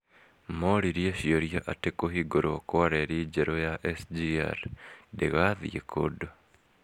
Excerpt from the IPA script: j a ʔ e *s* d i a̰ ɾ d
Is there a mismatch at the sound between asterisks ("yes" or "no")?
no